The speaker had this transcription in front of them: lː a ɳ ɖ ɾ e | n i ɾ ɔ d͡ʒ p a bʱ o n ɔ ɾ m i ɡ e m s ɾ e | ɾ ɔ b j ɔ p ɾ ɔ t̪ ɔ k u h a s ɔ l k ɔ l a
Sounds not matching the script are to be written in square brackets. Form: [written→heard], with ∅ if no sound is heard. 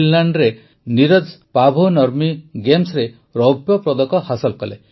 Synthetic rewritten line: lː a ɳ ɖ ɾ e | n i ɾ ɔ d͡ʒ p a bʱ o n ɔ ɾ m i ɡ e m s ɾ e | ɾ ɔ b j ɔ p ɾ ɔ [t̪→d̪] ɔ k [u→ɔ] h a s ɔ l k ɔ l [a→e]